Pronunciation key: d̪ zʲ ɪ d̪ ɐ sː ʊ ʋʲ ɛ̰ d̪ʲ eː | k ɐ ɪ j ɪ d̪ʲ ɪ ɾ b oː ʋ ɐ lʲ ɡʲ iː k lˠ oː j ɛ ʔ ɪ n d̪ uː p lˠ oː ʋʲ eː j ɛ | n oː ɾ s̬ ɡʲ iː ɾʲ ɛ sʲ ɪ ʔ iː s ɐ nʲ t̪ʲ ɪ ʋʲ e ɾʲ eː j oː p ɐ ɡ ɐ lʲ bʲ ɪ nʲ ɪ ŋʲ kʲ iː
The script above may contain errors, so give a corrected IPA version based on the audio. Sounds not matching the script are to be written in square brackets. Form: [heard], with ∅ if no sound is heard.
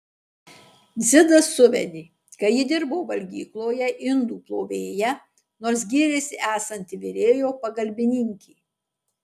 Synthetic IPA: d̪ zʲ ɪ d̪ ɐ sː ʊ ʋʲ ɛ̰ d̪ʲ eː | k ɐ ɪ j ɪ d̪ʲ ɪ ɾ b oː ʋ ɐ lʲ ɡʲ iː k lˠ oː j ɛ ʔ ɪ n d̪ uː p lˠ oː ʋʲ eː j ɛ | n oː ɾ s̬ ɡʲ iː ɾʲ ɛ sʲ ɪ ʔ [æː] s ɐ nʲ t̪ʲ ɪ ʋʲ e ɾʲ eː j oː p ɐ ɡ ɐ lʲ bʲ ɪ nʲ ɪ ŋʲ kʲ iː